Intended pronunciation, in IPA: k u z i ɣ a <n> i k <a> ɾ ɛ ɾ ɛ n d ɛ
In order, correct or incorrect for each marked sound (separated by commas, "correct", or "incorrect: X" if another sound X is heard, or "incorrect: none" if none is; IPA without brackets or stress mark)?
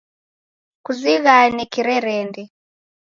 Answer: correct, incorrect: i